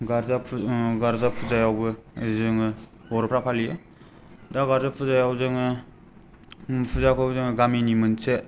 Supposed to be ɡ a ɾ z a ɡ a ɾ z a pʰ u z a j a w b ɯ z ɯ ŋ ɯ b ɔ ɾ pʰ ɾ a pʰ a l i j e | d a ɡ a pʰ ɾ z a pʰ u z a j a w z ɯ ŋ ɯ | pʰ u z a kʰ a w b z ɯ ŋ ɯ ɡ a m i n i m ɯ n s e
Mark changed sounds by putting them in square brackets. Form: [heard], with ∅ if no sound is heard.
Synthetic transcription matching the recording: ɡ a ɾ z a ɡ a ɾ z a pʰ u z a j a w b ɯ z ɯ ŋ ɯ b ɔ ɾ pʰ ɾ a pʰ a l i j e | d a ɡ a [∅] ɾ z a pʰ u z a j a w z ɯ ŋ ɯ | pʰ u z a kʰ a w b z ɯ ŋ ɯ ɡ a m i n i m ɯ n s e